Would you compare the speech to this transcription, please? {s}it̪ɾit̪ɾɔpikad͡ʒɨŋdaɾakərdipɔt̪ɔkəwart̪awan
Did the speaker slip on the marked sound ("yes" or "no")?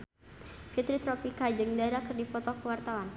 yes